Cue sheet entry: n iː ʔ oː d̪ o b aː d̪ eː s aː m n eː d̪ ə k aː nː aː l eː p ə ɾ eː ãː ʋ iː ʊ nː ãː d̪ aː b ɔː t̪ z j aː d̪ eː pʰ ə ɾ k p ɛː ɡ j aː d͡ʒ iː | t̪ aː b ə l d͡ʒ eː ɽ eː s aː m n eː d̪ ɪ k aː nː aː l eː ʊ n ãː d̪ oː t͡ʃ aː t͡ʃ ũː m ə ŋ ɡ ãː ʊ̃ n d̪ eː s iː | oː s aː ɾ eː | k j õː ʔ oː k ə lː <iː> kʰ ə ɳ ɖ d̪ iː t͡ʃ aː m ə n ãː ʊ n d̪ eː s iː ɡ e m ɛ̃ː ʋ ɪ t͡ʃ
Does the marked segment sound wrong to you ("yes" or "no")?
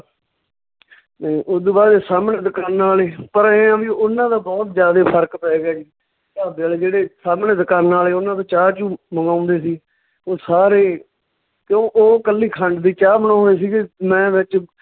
no